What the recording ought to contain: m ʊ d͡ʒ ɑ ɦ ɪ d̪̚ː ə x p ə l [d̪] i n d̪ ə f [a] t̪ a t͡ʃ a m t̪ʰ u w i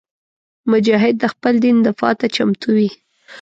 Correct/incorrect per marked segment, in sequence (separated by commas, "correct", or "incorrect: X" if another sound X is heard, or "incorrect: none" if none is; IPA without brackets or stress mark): correct, incorrect: ɑ